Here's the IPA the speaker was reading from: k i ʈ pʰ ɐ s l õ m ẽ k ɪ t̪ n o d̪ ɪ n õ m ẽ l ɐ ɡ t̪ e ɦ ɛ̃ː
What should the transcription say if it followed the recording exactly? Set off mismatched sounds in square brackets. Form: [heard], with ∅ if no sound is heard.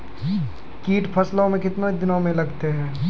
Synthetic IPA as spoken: k [iː] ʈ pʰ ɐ s l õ m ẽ k ɪ t̪ n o d̪ ɪ n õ m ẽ l ɐ ɡ t̪ e ɦ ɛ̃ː